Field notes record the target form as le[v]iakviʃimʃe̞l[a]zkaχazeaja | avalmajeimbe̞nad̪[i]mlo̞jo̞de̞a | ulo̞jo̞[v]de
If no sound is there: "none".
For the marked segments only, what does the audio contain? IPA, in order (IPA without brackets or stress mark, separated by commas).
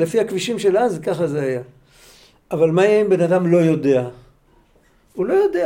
f, a, a, none